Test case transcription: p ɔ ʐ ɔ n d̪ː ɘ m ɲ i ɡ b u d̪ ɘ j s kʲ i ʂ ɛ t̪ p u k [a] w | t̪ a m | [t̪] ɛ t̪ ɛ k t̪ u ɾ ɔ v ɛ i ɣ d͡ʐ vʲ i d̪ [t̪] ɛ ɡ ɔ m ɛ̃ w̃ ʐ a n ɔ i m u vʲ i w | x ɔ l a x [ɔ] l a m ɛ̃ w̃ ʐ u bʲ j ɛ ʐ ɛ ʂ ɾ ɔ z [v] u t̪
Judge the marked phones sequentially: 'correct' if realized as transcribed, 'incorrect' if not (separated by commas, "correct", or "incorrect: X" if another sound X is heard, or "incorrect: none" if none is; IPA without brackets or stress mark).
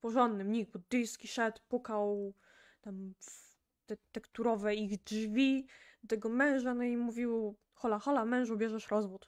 correct, correct, correct, correct, correct